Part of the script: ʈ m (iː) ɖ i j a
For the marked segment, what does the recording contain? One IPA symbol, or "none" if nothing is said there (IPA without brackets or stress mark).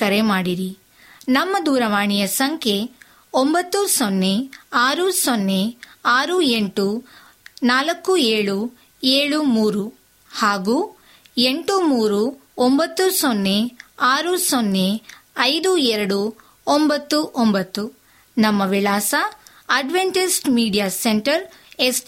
iː